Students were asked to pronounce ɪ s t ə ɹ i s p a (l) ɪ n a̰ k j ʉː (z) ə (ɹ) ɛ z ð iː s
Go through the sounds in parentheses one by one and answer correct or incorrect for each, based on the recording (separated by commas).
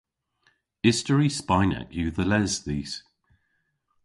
incorrect, incorrect, incorrect